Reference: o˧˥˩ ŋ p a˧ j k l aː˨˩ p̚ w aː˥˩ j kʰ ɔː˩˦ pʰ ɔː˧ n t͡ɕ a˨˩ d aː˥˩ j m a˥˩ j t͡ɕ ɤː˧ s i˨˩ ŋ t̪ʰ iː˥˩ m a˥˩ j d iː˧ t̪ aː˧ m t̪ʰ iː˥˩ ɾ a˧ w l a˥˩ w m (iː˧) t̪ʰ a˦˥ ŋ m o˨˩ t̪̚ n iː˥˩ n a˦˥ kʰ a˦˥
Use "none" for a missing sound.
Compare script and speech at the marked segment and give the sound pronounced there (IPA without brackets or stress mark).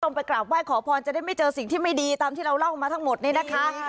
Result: aː˧